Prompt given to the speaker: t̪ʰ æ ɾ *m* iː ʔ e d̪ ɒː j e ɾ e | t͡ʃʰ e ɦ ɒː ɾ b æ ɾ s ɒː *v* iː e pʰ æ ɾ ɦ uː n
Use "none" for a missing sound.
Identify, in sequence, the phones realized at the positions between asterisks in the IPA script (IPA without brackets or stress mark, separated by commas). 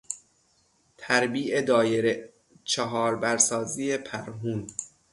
b, z